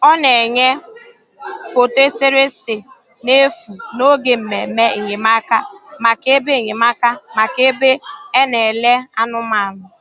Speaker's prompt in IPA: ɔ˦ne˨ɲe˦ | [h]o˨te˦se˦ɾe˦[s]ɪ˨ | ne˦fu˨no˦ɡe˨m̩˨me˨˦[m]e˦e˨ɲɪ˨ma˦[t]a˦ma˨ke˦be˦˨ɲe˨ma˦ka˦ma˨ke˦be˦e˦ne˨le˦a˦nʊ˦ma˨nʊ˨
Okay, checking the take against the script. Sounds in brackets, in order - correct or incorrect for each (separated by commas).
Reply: incorrect, correct, correct, incorrect